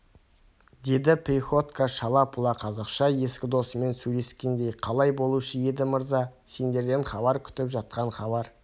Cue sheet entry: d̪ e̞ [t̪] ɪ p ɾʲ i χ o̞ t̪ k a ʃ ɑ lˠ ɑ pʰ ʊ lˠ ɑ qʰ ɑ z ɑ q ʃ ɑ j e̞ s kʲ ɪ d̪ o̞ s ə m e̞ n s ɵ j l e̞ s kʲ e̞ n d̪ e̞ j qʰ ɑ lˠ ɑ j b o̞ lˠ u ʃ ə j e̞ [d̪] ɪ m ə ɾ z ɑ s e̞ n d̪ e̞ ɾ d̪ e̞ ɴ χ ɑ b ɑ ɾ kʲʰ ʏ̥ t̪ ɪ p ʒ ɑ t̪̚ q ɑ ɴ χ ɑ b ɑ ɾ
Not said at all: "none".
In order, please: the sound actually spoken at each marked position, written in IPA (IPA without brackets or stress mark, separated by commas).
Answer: d̪, d̪